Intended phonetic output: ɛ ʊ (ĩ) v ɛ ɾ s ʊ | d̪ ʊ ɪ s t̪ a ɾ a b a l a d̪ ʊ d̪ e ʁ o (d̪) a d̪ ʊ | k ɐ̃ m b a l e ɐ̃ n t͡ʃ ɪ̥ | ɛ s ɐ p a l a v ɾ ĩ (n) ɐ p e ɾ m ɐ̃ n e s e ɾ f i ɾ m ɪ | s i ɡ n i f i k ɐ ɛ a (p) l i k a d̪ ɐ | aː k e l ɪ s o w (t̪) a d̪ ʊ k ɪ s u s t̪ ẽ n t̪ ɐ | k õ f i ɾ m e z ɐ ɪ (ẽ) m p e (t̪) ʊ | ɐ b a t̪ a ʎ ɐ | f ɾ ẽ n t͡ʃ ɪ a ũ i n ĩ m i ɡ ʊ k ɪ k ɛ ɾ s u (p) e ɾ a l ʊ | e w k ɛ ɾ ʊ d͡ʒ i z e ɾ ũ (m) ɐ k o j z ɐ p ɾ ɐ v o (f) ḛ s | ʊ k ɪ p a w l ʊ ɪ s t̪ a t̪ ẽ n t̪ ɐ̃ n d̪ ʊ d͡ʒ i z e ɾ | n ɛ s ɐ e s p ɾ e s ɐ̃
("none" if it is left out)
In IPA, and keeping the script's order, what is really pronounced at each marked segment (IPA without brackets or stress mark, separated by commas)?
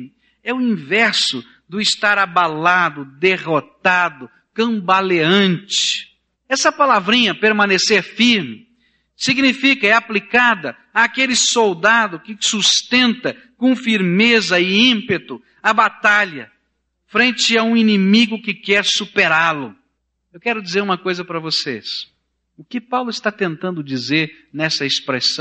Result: ĩ, t̪, ɲ, p, d̪, ĩ, t̪, p, m, s